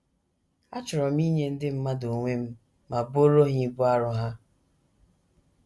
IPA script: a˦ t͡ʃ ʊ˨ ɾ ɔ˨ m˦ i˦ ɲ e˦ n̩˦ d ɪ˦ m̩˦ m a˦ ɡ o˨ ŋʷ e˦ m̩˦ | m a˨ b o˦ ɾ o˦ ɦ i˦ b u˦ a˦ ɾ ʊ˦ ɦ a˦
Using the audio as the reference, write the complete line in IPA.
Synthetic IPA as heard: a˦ t͡ʃ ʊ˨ ɾ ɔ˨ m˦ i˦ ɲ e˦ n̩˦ d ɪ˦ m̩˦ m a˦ d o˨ ŋʷ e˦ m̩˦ | m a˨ b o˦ ɾ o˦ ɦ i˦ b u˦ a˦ ɾ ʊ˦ ɦ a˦